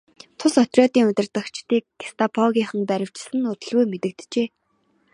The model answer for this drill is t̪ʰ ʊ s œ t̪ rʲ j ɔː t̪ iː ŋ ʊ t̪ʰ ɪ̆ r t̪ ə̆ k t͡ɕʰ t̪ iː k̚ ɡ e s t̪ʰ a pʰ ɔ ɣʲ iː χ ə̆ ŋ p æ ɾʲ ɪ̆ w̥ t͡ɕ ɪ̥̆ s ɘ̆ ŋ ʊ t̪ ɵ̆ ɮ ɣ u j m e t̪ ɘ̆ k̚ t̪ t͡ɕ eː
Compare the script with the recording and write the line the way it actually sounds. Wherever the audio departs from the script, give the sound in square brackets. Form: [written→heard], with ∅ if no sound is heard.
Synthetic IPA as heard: t̪ʰ ʊ s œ t̪ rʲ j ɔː t̪ iː ŋ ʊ [t̪ʰ→t̪] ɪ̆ r t̪ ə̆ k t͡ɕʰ t̪ iː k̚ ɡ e s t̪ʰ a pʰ ɔ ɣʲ iː χ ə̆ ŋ p æ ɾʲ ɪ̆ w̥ t͡ɕ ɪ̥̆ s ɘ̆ [ŋ→n] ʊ t̪ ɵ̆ ɮ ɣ u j m e t̪ ɘ̆ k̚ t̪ t͡ɕ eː